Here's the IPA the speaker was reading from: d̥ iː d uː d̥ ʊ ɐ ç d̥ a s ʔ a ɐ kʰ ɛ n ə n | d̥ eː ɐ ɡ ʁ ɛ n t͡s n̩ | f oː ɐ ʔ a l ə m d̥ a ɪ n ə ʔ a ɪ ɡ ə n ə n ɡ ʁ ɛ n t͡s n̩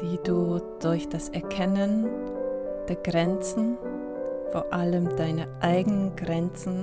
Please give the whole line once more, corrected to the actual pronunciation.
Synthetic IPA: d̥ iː d uː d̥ ʊ ɐ ç d̥ a s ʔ ɛ ɐ kʰ ɛ n ə n | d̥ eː ɐ ɡ ʁ ɛ n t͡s n̩ | f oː ɐ ʔ a l ə m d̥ a ɪ n ə ʔ a ɪ ɡ ə n ə n ɡ ʁ ɛ n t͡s n̩